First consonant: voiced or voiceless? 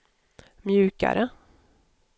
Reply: voiced